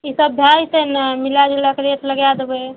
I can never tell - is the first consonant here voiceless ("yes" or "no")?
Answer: yes